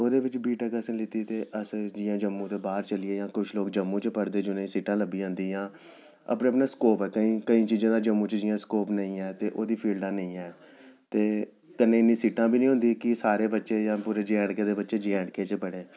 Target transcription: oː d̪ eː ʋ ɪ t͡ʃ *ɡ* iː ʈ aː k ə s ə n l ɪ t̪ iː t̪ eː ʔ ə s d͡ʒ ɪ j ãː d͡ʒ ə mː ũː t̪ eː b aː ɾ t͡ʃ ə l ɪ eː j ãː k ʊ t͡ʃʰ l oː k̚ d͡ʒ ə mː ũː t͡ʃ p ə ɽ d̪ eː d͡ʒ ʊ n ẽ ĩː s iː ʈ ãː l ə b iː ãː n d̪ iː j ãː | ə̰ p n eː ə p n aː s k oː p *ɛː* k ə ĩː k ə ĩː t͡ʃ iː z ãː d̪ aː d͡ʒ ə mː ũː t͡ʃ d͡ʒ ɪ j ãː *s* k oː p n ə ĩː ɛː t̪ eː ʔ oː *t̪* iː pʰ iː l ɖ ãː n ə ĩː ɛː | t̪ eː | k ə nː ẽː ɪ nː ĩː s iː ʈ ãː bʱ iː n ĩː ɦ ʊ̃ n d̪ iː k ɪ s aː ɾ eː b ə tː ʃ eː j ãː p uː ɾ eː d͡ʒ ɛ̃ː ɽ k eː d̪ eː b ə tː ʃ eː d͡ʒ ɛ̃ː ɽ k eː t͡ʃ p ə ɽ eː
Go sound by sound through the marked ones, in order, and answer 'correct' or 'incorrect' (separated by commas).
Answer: incorrect, correct, correct, incorrect